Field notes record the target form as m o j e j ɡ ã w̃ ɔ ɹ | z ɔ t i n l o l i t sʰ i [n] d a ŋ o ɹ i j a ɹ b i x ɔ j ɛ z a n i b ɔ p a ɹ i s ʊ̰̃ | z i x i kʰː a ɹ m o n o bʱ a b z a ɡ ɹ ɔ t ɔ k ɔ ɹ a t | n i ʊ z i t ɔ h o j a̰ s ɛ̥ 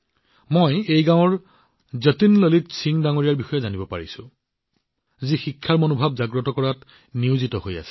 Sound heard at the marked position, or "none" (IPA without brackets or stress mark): ŋ